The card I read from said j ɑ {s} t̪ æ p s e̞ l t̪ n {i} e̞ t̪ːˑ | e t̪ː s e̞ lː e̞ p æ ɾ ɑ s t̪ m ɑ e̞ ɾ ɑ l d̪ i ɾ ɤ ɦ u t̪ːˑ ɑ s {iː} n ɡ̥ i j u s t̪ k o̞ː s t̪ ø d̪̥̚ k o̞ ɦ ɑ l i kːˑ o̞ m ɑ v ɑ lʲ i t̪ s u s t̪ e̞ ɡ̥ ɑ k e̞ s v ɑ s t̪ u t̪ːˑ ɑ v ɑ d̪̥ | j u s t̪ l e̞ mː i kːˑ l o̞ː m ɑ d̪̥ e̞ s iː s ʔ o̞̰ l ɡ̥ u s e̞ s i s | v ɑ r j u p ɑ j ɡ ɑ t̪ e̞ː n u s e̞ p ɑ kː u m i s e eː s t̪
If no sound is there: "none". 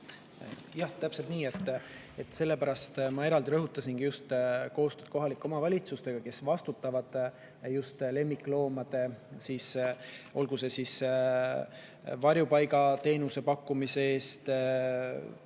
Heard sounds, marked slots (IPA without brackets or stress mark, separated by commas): h, iː, i